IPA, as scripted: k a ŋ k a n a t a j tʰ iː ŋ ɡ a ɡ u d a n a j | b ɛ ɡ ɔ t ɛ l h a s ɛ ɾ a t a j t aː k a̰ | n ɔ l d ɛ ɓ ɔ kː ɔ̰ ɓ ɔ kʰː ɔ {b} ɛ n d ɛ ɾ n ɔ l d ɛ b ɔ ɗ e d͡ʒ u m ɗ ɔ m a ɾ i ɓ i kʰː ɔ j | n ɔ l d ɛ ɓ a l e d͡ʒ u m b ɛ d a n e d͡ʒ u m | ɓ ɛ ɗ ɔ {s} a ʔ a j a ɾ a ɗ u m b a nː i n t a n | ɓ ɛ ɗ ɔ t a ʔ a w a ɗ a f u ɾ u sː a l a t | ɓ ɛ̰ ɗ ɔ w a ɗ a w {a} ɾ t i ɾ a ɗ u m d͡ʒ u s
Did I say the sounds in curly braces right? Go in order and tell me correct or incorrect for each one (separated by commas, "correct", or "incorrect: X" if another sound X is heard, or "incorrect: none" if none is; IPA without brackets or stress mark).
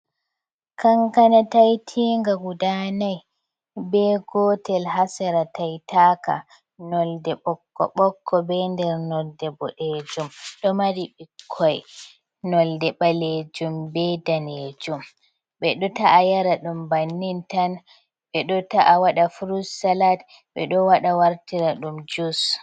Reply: correct, incorrect: t, correct